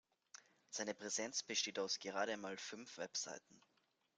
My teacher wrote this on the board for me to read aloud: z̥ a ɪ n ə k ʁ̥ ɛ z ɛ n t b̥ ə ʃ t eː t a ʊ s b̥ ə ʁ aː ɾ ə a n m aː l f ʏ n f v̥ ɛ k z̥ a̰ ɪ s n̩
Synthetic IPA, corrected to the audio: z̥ a ɪ n ə p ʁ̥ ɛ z ɛ n t͡s b̥ ə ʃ t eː t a ʊ s ɡ̥ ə ʁ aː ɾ ə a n m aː l f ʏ n f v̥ ɛ p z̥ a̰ ɪ t n̩